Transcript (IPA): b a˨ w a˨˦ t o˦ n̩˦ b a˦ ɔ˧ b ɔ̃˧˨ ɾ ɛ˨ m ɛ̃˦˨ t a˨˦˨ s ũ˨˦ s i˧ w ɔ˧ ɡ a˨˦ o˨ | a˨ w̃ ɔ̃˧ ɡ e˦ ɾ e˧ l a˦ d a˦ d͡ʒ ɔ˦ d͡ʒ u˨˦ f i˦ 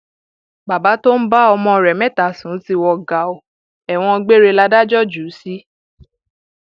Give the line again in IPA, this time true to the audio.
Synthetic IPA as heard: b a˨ b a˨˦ t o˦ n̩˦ b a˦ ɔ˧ m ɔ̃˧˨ ɾ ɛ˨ m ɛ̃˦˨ t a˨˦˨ s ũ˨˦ t i˧ w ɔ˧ ɡ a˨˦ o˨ | ɛ˨ w̃ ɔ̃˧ ɡ͡b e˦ ɾ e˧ l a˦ d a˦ d͡ʒ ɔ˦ d͡ʒ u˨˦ s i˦